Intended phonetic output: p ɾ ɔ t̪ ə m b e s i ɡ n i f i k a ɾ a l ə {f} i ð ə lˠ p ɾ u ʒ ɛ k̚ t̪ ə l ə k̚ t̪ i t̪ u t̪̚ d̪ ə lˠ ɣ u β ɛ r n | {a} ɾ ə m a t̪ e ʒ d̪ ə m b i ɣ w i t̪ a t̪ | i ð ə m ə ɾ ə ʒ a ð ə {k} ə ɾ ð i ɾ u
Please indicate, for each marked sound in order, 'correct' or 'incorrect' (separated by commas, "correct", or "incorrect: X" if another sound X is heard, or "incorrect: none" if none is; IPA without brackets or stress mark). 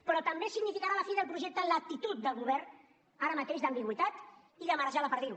correct, correct, incorrect: p